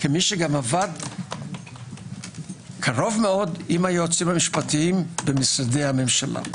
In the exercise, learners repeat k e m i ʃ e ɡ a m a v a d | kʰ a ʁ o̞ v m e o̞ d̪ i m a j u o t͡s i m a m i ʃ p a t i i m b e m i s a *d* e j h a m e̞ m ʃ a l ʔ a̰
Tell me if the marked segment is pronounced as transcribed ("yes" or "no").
yes